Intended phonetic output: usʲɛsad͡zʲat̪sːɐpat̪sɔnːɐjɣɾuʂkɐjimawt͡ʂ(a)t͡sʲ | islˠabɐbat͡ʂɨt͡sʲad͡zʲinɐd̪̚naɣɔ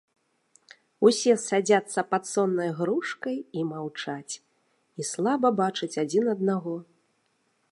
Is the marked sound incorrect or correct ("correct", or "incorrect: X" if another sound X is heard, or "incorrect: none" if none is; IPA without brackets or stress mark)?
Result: correct